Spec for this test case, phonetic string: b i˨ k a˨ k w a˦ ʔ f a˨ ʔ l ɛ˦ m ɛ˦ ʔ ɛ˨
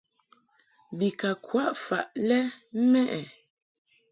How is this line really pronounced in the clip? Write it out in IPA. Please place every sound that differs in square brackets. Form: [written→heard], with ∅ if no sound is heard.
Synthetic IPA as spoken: b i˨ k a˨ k w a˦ ʔ f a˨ ʔ l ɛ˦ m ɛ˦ ʔ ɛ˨